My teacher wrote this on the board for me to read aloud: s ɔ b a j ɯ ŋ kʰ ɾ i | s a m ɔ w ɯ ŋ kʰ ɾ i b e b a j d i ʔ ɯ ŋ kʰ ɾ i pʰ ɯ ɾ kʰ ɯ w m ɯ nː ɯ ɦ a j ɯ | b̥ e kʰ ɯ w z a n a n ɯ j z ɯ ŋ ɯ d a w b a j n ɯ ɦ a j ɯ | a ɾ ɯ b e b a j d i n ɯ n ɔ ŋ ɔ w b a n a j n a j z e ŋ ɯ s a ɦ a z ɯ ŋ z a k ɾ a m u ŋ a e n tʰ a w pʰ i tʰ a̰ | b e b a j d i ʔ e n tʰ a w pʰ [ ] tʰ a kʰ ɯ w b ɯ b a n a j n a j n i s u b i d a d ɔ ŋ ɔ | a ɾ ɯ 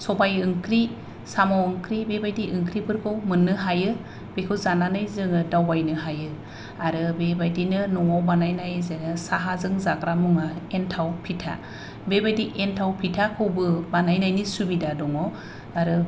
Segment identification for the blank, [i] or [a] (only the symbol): i